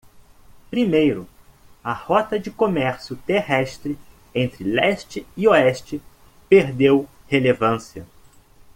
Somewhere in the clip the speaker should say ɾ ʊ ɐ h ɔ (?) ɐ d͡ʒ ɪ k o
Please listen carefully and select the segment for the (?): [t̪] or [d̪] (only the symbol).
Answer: t̪